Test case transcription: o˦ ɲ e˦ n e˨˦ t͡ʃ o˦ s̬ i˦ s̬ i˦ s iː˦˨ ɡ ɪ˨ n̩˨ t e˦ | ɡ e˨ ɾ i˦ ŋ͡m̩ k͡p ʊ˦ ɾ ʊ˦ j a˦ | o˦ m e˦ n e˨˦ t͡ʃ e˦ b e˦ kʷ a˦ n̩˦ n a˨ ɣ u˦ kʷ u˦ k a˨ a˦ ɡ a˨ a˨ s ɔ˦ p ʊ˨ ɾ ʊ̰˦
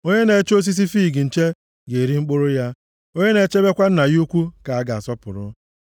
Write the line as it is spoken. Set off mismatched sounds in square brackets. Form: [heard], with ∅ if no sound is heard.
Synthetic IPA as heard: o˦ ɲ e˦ n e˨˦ t͡ʃ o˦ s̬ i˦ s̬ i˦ [f] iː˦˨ ɡ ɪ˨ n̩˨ [t͡ʃ] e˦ | ɡ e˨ ɾ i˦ ŋ͡m̩ k͡p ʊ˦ ɾ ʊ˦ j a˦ | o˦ [ɲ] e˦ n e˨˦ t͡ʃ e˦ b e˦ kʷ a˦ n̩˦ n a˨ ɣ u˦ kʷ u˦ k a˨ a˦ ɡ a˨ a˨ s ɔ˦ p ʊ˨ ɾ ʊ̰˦